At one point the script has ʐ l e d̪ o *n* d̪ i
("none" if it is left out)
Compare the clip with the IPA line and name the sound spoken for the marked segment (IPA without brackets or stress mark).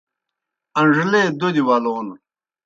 none